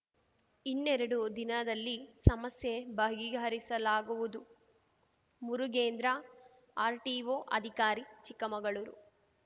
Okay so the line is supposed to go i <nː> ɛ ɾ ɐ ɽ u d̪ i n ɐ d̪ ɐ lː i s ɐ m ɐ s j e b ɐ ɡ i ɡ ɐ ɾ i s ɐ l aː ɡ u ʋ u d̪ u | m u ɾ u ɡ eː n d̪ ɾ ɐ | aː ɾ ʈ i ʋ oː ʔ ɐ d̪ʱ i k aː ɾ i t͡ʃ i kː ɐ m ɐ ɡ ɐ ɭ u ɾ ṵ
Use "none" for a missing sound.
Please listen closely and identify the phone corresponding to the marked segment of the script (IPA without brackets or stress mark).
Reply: nː